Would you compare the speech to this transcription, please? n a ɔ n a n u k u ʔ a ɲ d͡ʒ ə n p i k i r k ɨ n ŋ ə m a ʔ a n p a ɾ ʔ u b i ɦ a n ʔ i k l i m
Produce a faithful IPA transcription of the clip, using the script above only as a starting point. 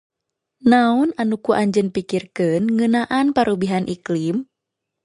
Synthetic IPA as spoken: n a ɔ n a n u k u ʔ a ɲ d͡ʒ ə n p i k i r k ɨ n ŋ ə n a ʔ a n p a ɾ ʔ u b i ɦ a n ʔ i k l i m